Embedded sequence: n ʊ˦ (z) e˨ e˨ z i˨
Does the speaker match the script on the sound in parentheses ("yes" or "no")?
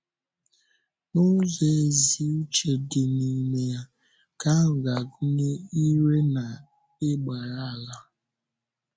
yes